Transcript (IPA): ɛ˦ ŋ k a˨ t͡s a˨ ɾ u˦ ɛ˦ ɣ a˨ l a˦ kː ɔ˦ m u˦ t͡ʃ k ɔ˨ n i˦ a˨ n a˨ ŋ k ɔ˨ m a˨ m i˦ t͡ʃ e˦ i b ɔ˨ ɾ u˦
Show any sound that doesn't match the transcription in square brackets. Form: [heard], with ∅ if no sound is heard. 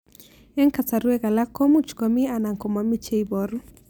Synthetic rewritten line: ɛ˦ ŋ k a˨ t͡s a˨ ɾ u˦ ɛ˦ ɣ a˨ l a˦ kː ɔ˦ m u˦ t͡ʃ k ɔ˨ [m] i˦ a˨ n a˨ ŋ k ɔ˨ m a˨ m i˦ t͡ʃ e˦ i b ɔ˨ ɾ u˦